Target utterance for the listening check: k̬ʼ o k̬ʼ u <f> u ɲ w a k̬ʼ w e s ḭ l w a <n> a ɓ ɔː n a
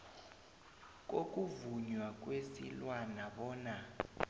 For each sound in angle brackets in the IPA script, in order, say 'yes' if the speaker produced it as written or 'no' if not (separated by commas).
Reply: no, yes